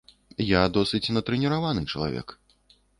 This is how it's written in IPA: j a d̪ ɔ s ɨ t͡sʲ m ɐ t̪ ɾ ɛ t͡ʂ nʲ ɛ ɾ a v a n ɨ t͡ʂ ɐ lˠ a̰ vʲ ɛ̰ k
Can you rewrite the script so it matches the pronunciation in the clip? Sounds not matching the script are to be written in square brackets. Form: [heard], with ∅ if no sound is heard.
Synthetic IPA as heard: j a d̪ ɔ s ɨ t͡sʲ [n] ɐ t̪ ɾ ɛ [∅] nʲ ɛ ɾ a v a n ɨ t͡ʂ ɐ lˠ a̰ vʲ ɛ̰ k

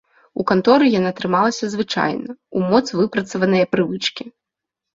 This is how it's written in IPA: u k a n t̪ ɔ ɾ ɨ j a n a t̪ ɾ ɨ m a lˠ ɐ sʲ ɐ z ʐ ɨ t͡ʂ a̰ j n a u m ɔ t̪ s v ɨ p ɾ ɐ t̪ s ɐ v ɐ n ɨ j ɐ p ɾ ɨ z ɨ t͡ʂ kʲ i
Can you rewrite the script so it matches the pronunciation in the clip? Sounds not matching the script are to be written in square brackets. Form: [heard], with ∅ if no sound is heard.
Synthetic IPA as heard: u k a n t̪ ɔ ɾ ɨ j a n a t̪ ɾ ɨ m a lˠ ɐ sʲ ɐ z [v] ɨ t͡ʂ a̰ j n [ɐ] u m ɔ t̪ s v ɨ p ɾ ɐ t̪ s ɐ v ɐ n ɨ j ɐ p ɾ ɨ [v] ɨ t͡ʂ kʲ i

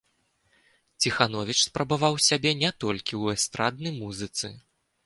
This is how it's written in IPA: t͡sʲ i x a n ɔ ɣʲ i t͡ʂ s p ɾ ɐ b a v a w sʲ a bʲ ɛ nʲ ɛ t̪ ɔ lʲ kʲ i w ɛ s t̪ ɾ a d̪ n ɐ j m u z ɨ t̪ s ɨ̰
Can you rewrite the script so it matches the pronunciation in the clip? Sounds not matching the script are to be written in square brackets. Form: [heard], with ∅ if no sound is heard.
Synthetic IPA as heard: t͡sʲ i x a n ɔ [vʲ] i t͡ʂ s p ɾ ɐ b a v a w sʲ a bʲ ɛ nʲ ɛ t̪ ɔ lʲ kʲ i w ɛ s t̪ ɾ a d̪ n ɐ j m u z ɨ t̪ s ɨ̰

